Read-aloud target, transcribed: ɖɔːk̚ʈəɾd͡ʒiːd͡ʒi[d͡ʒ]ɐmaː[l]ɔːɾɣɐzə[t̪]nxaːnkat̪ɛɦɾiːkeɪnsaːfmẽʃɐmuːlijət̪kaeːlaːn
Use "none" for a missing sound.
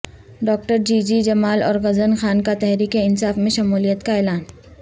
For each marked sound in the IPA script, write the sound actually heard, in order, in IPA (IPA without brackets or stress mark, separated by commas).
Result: d͡ʒ, l, none